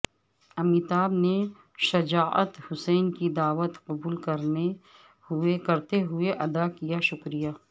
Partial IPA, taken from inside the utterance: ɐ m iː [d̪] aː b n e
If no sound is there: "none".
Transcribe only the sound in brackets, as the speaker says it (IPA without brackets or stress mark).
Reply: t̪